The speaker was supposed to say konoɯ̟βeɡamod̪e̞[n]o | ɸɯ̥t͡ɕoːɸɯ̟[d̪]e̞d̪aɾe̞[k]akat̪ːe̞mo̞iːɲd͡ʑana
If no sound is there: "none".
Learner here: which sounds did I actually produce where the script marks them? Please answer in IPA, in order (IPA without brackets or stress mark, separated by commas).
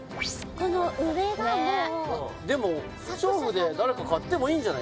m, d̪, k